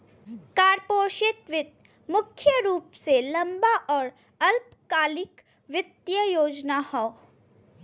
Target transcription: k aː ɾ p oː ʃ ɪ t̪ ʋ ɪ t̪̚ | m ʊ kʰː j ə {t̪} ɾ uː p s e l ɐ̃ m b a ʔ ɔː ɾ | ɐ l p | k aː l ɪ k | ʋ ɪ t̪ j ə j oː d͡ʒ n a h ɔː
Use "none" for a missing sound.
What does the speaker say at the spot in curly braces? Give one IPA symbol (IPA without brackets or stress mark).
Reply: none